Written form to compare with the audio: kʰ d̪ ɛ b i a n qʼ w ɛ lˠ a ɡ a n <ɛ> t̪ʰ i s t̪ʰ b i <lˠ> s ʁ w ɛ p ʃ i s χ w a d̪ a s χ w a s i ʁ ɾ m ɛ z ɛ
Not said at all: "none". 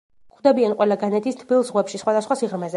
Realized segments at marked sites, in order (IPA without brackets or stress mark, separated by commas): ɛ, lˠ